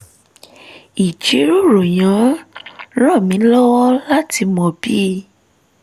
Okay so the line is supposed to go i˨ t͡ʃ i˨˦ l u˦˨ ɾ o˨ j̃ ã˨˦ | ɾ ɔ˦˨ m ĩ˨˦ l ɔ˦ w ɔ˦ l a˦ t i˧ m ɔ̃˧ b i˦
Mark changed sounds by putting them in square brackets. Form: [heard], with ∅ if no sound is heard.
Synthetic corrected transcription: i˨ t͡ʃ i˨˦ [ɾ] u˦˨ ɾ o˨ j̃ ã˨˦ | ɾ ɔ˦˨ m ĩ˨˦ l ɔ˦ w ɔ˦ l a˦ t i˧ m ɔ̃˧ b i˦